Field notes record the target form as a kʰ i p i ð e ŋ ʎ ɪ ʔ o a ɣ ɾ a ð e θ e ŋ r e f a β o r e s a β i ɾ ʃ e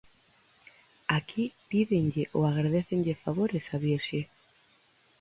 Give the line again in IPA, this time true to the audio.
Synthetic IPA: a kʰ i p i ð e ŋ ʎ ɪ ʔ o a ɣ ɾ a ð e θ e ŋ ʎ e f a β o ɾ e s a β i ɾ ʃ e